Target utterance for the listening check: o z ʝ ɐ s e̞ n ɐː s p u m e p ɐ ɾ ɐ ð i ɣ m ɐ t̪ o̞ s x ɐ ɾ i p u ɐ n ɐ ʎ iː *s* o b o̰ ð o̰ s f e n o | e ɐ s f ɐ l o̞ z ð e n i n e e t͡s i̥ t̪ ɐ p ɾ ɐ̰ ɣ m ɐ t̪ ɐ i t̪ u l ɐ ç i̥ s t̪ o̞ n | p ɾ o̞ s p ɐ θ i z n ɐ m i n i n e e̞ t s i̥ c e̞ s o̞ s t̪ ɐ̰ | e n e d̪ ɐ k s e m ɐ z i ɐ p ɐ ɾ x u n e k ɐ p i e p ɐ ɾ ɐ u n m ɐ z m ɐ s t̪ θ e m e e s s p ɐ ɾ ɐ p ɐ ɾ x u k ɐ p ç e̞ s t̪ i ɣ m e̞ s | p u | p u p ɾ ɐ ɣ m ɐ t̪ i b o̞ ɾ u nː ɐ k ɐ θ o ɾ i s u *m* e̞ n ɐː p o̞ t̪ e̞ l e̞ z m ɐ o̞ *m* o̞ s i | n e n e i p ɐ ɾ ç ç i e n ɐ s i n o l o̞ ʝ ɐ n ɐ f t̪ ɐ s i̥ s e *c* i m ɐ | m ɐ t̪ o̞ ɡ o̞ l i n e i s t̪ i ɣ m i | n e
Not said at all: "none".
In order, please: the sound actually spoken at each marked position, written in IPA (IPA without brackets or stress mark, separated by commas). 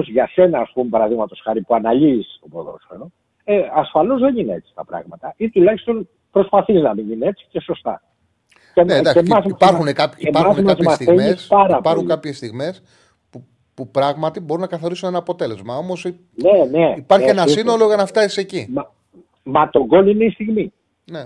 s, n, m, c